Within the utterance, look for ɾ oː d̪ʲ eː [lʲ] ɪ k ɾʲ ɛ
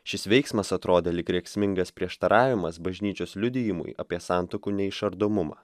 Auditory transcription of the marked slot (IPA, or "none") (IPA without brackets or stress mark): lʲ